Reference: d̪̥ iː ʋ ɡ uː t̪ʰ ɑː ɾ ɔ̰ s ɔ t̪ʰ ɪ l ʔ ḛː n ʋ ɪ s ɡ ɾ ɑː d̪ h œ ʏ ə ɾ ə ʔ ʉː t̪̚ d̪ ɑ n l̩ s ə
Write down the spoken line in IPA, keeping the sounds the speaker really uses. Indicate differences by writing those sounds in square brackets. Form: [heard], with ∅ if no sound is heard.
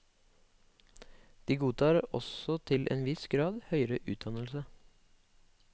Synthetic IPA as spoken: d̪̥ iː [∅] ɡ uː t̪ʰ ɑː ɾ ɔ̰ s ɔ t̪ʰ ɪ l ʔ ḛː n ʋ ɪ s ɡ ɾ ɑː d̪ h œ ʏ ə ɾ ə ʔ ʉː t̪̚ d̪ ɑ n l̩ s ə